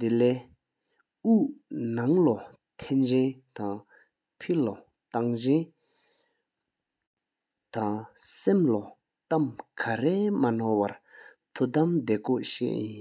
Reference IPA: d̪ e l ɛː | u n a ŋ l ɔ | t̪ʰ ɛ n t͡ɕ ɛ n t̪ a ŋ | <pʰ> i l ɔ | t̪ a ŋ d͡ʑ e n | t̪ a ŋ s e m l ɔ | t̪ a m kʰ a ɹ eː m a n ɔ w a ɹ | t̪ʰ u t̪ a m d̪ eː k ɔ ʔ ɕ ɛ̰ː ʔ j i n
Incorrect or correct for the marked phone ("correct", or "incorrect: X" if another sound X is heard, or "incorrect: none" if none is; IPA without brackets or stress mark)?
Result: correct